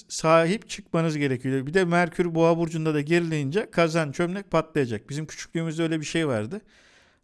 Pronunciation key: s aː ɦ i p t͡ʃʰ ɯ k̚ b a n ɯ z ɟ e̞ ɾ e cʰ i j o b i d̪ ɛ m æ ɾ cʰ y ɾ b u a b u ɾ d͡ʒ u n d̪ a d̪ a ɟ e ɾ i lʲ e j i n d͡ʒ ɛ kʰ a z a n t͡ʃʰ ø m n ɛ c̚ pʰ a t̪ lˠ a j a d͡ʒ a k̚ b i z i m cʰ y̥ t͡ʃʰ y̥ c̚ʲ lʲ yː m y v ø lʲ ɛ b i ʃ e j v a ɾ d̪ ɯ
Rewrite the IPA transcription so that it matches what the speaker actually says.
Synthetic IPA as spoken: s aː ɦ i p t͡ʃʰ ɯ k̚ m a n ɯ z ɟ e̞ ɾ e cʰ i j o b i d̪ ɛ m æ ɾ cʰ y ɾ b u a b u ɾ d͡ʒ u n d̪ a d̪ a ɟ e ɾ i lʲ e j i n d͡ʒ ɛ kʰ a z a n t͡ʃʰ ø m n ɛ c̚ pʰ a t̪ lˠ a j a d͡ʒ a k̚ b i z i m cʰ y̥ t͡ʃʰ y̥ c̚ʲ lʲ yː m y z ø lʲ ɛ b i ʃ e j v a ɾ d̪ ɯ